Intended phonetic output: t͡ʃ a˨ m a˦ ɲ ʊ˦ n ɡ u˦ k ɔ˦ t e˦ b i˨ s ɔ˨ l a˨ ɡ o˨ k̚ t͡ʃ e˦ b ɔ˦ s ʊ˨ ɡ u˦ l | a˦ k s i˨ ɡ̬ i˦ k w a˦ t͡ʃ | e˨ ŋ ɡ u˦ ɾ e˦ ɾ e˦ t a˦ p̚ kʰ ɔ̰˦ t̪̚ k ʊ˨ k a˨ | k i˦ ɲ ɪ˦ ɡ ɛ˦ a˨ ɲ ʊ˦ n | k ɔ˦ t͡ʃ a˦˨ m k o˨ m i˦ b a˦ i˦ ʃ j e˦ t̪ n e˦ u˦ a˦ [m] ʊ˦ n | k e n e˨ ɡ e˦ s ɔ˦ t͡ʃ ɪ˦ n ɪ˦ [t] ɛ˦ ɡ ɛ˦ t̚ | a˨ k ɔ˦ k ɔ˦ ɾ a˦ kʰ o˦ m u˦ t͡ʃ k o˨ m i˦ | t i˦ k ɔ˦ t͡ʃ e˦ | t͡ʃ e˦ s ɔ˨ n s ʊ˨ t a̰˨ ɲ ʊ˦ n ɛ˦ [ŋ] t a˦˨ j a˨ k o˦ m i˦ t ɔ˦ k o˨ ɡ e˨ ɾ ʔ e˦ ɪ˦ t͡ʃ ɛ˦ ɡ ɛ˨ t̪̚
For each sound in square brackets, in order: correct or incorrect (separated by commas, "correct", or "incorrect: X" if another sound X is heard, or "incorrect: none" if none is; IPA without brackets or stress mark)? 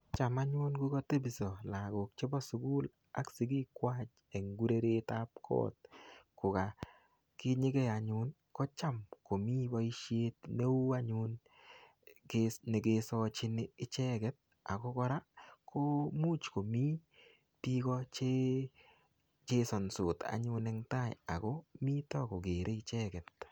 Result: incorrect: ɲ, incorrect: t͡ʃ, correct